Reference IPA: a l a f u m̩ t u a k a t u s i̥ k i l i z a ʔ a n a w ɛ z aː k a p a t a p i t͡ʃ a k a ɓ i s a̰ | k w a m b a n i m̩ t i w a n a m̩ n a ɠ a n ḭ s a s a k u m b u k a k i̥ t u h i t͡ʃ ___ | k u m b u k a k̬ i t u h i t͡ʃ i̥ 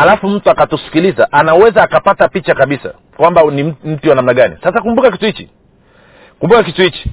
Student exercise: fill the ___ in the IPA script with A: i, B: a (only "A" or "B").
A